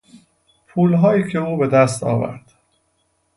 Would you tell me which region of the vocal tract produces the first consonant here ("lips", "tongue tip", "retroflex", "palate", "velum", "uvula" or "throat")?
lips